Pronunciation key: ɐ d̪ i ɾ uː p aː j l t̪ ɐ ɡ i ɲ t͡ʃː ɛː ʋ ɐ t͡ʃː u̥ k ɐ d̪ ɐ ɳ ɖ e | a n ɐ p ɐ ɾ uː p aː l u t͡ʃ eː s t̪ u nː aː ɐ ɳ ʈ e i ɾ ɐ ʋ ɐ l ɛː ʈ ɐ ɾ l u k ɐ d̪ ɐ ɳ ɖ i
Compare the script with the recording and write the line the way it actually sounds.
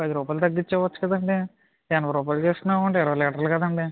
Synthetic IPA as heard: ɐ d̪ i ɾ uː p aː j l t̪ ɐ ɡː i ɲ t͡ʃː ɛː ʋ ɐ t͡ʃː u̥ k ɐ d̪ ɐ ɳ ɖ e | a n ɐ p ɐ ɾ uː p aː l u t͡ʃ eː s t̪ u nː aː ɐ ɳ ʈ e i ɾ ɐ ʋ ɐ l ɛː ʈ ɐ ɾ l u k ɐ d̪ ɐ ɳ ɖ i